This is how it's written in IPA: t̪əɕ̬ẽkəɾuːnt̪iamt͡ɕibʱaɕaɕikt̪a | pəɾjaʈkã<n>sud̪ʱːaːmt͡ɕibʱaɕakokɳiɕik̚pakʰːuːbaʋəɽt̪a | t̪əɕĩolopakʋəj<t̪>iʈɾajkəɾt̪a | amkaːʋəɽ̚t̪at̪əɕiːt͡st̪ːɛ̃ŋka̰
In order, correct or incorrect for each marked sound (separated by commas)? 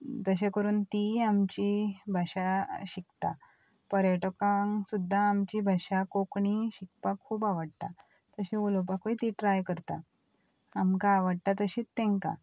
incorrect, correct